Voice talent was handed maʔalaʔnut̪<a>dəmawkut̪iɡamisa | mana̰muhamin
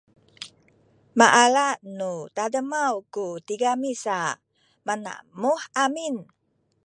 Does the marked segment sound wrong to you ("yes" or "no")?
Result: no